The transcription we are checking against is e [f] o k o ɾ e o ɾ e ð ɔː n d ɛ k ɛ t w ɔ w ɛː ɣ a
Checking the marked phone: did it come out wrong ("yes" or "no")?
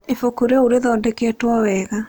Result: no